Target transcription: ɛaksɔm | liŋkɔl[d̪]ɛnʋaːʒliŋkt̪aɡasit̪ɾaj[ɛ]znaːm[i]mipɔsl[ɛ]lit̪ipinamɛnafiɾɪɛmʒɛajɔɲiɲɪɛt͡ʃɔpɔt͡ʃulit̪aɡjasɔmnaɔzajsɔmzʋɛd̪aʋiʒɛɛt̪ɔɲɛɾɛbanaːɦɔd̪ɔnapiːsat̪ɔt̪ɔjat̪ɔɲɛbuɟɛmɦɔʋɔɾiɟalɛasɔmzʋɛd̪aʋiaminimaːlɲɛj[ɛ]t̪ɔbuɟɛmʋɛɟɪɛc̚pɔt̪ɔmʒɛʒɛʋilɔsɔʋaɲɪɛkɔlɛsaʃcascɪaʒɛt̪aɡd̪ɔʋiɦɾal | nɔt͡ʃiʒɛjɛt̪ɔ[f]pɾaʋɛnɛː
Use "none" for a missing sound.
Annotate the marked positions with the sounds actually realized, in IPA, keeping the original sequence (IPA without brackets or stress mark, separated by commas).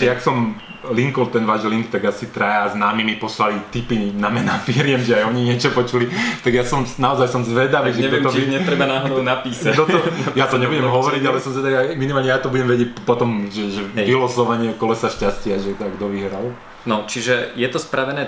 t̪, a, i, a, a, s